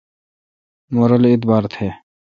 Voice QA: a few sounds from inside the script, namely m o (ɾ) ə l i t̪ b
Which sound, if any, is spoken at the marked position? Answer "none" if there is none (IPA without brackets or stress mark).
ɾ